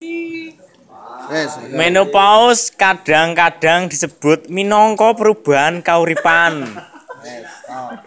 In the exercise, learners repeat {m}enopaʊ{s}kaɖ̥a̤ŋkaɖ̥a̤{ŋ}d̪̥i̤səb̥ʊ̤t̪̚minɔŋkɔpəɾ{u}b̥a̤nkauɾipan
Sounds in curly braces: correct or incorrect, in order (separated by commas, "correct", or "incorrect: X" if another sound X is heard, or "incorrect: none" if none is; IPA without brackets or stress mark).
correct, correct, correct, correct